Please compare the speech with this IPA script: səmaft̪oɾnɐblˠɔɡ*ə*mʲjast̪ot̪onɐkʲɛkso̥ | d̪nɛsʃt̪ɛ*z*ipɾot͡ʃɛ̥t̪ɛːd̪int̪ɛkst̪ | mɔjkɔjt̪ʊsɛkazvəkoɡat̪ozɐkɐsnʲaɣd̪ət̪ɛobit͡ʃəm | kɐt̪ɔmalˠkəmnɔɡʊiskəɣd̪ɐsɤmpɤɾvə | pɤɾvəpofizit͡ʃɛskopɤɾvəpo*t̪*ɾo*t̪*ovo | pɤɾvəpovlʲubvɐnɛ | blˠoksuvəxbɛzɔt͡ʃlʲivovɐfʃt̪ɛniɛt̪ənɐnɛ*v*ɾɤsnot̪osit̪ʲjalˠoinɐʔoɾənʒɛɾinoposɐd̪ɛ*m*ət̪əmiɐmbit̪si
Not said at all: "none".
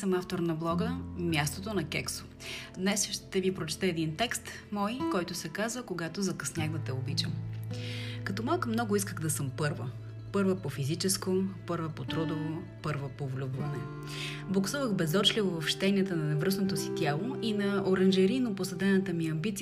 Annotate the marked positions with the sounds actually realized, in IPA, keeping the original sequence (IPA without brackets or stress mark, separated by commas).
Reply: ə, v, t̪, d̪, v, n